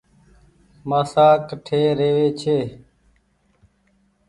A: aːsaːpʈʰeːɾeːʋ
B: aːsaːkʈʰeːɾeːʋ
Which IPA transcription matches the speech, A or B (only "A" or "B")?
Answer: B